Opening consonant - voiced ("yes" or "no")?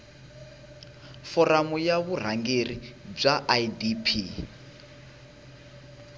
no